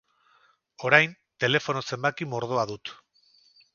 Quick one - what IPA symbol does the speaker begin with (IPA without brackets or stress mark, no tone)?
o̞